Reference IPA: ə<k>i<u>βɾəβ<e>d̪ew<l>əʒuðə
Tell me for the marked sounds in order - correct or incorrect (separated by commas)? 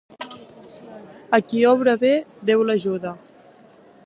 correct, incorrect, correct, correct